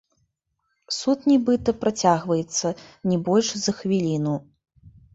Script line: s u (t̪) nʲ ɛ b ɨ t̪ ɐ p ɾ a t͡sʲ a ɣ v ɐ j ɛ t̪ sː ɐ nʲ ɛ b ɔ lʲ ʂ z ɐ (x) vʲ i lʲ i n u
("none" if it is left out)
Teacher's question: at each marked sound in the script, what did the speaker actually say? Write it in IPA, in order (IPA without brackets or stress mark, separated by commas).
t̪, x